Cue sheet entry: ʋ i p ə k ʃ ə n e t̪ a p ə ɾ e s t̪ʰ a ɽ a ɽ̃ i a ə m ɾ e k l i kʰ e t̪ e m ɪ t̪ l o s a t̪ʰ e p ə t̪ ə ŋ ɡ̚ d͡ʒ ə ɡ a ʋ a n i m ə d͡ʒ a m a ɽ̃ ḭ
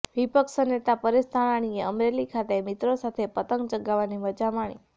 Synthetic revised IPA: ʋ i p ə k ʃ ə n e t̪ a p ə ɾ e s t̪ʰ a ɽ a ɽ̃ i e ə m ɾ e l i kʰ a t̪ e m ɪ t̪ ɾ o s a t̪ʰ e p ə t̪ ə ŋ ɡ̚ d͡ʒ ə ɡ a ʋ a n i m ə d͡ʒ a m a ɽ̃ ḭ